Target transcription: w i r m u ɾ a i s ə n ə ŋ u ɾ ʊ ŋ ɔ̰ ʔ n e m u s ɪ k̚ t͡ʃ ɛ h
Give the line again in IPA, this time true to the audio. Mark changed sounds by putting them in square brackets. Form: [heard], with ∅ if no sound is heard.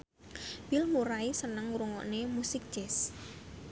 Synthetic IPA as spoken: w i [l] m u ɾ a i s ə n ə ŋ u ɾ [u] ŋ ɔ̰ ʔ n e m u s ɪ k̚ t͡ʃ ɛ [s]